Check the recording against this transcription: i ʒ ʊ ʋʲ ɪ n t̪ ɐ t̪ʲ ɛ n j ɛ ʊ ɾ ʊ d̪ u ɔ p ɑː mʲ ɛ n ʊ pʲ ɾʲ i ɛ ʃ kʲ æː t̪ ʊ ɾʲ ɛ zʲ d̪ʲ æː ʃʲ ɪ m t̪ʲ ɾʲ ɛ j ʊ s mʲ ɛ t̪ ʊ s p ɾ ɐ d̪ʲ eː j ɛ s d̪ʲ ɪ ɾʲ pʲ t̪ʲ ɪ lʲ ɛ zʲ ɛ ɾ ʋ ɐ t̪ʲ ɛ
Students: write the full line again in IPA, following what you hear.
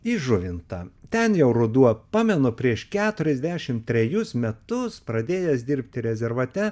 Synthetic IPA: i ʒ ʊ ʋʲ ɪ n t̪ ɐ t̪ʲ ɛ n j ɛ ʊ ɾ ʊ d̪ u ɔ p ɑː mʲ ɛ n ʊ pʲ ɾʲ i ɛ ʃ kʲ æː t̪ ʊ ɾʲ ɛ zʲ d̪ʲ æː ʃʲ ɪ m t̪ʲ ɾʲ ɛ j ʊ s mʲ ɛ t̪ ʊ s p ɾ ɐ d̪ʲ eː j ɛ s d̪ʲ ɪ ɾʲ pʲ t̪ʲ ɪ ɾʲ ɛ zʲ ɛ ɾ ʋ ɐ t̪ʲ ɛ

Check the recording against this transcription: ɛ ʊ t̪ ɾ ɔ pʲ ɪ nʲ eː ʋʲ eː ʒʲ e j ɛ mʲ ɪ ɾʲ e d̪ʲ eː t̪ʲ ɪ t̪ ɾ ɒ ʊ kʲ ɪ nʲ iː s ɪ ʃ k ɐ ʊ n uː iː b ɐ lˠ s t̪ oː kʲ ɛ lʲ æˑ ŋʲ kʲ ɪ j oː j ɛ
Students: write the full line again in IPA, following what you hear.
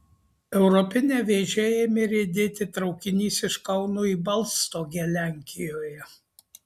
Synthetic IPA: ɛ ʊ ɾ ɔ pʲ ɪ nʲ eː ʋʲ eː ʒʲ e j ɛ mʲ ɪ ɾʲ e d̪ʲ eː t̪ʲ ɪ t̪ ɾ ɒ ʊ kʲ ɪ nʲ iː s ɪ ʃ k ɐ ʊ n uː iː b ɐ lˠ s t̪ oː ɡʲ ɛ lʲ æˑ ŋʲ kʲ ɪ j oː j ɛ

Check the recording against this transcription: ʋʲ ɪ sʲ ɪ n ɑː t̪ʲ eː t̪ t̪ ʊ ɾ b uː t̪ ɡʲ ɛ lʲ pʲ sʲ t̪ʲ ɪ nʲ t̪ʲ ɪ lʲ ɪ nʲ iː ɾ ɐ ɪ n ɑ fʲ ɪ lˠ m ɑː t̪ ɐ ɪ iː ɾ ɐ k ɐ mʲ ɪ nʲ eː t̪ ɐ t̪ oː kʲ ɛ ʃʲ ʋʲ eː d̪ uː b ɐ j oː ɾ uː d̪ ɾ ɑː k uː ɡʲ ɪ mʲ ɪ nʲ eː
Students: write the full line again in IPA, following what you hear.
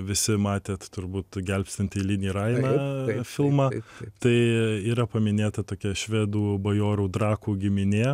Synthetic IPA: ʋʲ ɪ sʲ ɪ m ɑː t̪ʲ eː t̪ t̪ ʊ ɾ b uː t̪ ɡʲ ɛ lʲ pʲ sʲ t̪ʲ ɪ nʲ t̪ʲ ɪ lʲ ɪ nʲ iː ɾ ɐ ɪ n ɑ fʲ ɪ lˠ m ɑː t̪ ɐ ɪ iː ɾ ɐ p ɐ mʲ ɪ nʲ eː t̪ ɐ t̪ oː kʲ ɛ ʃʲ ʋʲ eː d̪ uː b ɐ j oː ɾ uː d̪ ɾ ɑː k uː ɡʲ ɪ mʲ ɪ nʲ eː

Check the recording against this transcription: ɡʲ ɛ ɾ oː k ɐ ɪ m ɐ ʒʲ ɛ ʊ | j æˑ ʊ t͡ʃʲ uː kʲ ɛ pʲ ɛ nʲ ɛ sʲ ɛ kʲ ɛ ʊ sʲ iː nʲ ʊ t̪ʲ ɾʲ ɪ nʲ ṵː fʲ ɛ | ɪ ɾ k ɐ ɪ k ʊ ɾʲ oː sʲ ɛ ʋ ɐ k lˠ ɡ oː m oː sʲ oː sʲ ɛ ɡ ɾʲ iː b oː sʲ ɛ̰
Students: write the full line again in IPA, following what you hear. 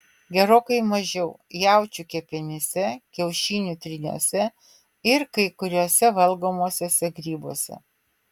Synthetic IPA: ɡʲ ɛ ɾ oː k ɐ ɪ m ɐ ʒʲ ɛ ʊ | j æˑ ʊ t͡ʃʲ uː kʲ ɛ pʲ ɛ nʲ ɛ sʲ ɛ kʲ ɛ ʊ ʃʲ iː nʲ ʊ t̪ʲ ɾʲ ɪ nʲ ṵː sʲ ɛ | ɪ ɾ k ɐ ɪ k ʊ ɾʲ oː sʲ ɛ ʋ ɐ lˠ ɡ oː m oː sʲ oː sʲ ɛ ɡ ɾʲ iː b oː sʲ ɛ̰

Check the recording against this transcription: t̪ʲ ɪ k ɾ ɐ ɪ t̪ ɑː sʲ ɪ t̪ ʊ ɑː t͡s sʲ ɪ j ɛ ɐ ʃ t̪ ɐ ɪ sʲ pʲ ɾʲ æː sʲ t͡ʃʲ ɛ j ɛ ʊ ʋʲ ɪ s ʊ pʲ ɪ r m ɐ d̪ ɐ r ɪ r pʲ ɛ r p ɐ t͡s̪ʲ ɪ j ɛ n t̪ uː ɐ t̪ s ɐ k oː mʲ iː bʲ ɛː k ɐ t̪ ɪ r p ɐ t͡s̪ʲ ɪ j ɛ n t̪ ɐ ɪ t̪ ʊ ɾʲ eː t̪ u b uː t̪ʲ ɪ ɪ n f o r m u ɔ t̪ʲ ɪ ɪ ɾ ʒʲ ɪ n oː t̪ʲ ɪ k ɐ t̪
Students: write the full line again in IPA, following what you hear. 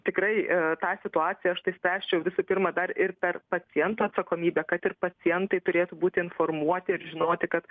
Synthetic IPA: t̪ʲ ɪ k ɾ ɐ ɪ t̪ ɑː sʲ ɪ t̪ ʊ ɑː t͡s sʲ ɪ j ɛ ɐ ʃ t̪ ɐ ɪ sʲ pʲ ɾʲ æː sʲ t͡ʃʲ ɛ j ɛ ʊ ʋʲ ɪ s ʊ pʲ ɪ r m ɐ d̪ ɐ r ɪ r pʲ ɛ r p ɐ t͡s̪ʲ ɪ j ɛ n t̪ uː ɐ t̪ s ɐ k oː mʲ iː bʲ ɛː k ɐ t̪ ɪ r p ɐ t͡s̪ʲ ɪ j ɛ n t̪ ɐ ɪ t̪ ʊ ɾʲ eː t̪ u b uː t̪ʲ ɪ ɪ n f o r m u ɔ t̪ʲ ɪ ɪ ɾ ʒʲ ɪ n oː t̪ʲ ɪ k ɐ t̪

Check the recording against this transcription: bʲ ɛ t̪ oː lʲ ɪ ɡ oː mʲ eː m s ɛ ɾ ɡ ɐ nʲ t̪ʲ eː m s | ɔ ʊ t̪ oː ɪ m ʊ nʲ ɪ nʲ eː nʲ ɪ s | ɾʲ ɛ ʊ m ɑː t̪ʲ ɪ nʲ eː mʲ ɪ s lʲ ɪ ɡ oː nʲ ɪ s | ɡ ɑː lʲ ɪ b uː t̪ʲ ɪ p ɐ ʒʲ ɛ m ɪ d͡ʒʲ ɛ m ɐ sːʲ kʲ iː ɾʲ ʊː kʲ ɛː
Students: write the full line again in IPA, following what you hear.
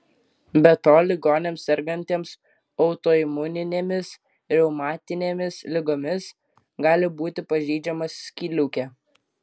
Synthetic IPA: bʲ ɛ t̪ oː lʲ ɪ ɡ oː nʲ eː m s ɛ ɾ ɡ ɐ nʲ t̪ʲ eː m s | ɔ ʊ t̪ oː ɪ m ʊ nʲ ɪ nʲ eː mʲ ɪ s | ɾʲ ɛ ʊ m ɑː t̪ʲ ɪ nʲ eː mʲ ɪ s lʲ ɪ ɡ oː mʲ ɪ s | ɡ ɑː lʲ ɪ b uː t̪ʲ ɪ p ɐ ʒʲ ɛ ɪ d͡ʒʲ ɛ m ɐ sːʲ kʲ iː lʲ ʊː kʲ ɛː

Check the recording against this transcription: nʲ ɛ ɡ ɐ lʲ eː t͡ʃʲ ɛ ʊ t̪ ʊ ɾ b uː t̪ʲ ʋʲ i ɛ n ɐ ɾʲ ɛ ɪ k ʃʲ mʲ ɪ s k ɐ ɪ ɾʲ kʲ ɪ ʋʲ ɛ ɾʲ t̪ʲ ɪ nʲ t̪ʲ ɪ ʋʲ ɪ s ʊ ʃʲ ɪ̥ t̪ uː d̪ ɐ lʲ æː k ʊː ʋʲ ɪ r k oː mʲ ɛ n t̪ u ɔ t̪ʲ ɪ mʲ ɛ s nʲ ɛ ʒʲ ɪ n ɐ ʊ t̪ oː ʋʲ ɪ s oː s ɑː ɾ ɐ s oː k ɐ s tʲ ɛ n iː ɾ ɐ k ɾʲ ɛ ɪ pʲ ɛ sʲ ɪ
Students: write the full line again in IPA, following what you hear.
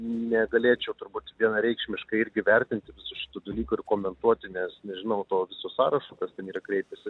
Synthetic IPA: nʲ ɛ ɡ ɐ lʲ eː t͡ʃʲ ɛ ʊ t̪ ʊ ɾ b uː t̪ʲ ʋʲ i ɛ n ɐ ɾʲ ɛ ɪ k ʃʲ mʲ ɪ ʃ k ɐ ɪ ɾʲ ɡʲ ɪ ʋʲ ɛ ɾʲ t̪ʲ ɪ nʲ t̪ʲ ɪ ʋʲ ɪ s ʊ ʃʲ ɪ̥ t̪ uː d̪ ɐ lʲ iː k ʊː ɪ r k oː mʲ ɛ n t̪ u ɔ t̪ʲ ɪ nʲ ɛ s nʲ ɛ ʒʲ ɪ n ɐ ʊ t̪ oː ʋʲ ɪ s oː s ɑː ɾ ɐ ʃ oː k ɐ s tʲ ɛ n iː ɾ ɐ k ɾʲ ɛ ɪ pʲ ɛ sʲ ɪ

